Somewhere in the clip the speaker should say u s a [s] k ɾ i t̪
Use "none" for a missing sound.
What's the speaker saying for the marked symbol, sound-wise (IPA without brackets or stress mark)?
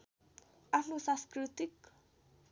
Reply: s